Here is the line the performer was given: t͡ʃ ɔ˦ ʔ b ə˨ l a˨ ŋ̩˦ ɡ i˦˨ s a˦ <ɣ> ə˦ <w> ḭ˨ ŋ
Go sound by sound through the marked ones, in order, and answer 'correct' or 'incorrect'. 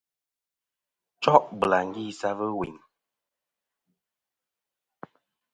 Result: incorrect: v, correct

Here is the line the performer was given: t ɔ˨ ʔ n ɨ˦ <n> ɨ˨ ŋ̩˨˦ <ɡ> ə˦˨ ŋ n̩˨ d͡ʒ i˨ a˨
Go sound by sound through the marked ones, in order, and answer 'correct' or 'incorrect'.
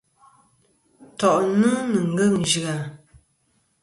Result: correct, correct

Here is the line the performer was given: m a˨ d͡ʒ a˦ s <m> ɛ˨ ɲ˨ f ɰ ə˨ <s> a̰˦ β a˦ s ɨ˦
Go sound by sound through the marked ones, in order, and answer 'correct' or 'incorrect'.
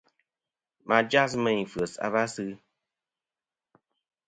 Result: correct, correct

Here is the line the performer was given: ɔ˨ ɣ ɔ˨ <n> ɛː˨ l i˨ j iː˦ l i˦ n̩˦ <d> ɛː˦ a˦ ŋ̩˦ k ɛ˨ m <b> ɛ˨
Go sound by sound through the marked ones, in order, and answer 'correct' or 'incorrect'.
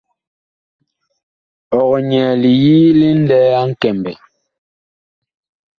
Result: incorrect: ɲ, correct, correct

